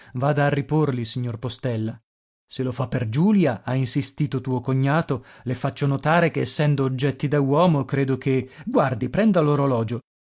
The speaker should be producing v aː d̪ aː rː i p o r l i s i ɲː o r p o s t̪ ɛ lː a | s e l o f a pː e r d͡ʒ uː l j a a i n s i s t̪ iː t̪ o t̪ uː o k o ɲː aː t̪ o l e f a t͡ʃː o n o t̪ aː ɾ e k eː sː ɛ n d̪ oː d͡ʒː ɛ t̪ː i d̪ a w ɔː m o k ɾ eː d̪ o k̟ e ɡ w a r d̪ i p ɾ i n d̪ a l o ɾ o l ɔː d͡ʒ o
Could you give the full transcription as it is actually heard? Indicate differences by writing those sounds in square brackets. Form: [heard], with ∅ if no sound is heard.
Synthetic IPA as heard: v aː d̪ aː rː i p o r l i s i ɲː o r p o s t̪ ɛ lː a | s e l o f a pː e r d͡ʒ uː l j a a i n s i s t̪ iː t̪ o t̪ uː o k o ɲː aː t̪ o l e f a t͡ʃː o n o t̪ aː ɾ e k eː sː ɛ n d̪ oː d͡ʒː ɛ t̪ː i d̪ a w ɔː m o k ɾ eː d̪ o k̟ e ɡ w a r d̪ i p ɾ [ɛ] n d̪ a l o ɾ o l ɔː d͡ʒ o